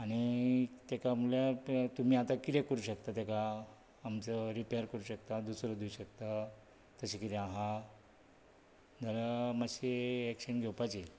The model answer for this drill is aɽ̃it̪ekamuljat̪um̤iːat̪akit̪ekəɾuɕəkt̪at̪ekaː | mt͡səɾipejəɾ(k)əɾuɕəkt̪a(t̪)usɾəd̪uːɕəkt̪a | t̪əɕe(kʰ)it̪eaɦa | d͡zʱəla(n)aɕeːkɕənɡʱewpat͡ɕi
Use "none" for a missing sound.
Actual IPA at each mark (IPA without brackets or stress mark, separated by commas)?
k, d̪, k, m